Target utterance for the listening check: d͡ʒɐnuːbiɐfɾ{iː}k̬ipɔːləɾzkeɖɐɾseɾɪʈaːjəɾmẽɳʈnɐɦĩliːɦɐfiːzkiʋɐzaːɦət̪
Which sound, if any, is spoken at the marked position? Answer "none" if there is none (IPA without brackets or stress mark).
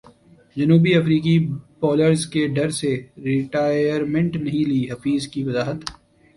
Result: iː